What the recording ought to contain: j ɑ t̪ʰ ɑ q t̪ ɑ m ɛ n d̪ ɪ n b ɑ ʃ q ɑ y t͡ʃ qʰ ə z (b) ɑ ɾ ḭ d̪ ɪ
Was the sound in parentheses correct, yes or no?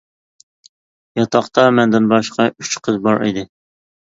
yes